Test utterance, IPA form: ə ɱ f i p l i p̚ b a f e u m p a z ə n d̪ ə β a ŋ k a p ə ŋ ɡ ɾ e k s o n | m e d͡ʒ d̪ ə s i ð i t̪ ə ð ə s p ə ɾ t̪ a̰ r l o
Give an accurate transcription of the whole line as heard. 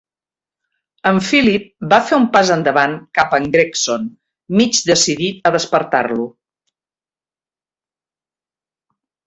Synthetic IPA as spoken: ə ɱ f i l i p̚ b a f e u m p a z ə n d̪ ə β a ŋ k a p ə ŋ ɡ ɾ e k s o n | m i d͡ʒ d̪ ə s i ð i t̪ ə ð ə s p ə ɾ t̪ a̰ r l u